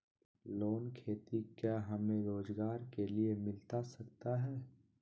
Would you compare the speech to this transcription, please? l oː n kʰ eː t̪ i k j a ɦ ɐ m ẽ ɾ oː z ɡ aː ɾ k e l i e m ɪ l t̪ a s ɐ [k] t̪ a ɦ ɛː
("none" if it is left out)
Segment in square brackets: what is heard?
k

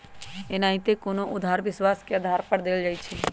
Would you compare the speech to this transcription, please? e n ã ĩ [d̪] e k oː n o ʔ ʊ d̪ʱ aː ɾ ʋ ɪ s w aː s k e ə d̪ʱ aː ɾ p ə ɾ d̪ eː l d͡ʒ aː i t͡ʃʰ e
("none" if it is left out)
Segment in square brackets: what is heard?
t̪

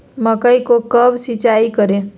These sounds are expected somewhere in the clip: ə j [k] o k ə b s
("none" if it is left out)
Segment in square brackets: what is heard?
k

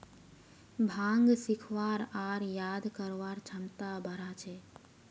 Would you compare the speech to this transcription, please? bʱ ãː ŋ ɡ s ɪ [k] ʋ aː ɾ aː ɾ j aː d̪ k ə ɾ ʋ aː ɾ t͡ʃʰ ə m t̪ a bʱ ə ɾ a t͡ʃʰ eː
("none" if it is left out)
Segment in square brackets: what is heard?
kʰ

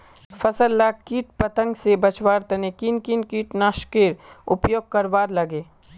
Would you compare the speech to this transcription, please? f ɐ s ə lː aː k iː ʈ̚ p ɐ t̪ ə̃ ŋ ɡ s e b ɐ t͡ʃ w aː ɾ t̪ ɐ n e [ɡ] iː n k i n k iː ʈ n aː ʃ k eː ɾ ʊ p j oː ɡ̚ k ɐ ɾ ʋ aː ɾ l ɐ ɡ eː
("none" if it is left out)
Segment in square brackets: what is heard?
k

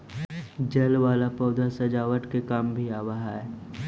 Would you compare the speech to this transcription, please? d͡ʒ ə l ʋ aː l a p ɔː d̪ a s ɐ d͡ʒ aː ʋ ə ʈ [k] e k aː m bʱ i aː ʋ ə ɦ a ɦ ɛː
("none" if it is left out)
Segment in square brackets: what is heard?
k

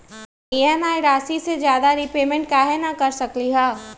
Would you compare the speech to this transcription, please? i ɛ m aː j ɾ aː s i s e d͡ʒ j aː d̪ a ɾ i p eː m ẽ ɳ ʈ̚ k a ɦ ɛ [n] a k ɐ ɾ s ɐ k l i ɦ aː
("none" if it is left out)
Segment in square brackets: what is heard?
n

